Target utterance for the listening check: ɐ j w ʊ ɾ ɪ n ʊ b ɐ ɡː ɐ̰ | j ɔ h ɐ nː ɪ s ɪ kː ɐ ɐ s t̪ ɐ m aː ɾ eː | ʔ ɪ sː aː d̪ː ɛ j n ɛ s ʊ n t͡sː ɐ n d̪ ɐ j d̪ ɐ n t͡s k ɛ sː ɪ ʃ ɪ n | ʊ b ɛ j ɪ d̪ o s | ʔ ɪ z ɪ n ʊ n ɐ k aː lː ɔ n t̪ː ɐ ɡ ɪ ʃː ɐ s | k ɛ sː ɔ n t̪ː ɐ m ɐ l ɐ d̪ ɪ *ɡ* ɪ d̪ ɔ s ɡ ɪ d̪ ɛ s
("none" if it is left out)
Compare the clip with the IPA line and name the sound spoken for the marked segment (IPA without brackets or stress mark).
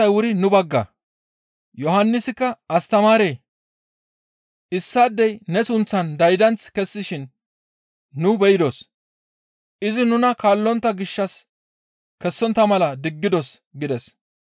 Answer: ɡː